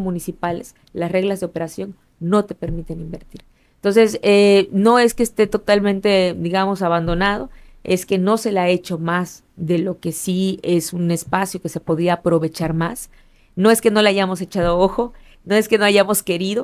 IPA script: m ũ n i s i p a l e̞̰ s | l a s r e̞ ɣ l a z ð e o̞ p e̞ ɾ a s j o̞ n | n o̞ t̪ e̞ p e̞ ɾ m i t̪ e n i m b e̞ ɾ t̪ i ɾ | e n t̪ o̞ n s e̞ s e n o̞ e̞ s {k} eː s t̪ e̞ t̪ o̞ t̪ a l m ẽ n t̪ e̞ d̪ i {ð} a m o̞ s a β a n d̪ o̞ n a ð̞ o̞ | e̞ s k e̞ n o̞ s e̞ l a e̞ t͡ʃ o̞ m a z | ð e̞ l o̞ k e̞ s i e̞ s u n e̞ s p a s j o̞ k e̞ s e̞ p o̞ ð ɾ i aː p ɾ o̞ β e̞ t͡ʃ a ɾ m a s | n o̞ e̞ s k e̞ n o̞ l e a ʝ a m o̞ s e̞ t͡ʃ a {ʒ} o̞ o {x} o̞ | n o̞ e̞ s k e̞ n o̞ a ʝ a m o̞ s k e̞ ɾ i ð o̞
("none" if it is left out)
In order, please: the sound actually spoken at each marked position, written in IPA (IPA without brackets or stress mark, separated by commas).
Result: k, ɣ, ð, x